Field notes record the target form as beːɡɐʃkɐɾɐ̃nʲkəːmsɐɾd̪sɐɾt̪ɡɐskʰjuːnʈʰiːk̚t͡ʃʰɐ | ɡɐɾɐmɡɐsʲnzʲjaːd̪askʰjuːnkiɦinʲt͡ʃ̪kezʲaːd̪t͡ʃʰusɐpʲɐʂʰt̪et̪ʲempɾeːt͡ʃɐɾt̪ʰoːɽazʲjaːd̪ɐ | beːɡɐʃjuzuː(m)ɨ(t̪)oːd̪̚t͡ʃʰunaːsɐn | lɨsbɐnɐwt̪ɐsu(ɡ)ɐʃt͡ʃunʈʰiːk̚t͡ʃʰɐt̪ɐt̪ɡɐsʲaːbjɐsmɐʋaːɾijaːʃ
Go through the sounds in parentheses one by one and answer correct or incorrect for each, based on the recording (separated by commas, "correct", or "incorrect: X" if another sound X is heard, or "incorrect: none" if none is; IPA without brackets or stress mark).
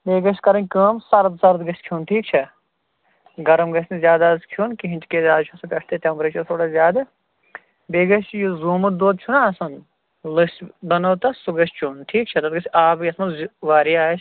correct, incorrect: d̪, correct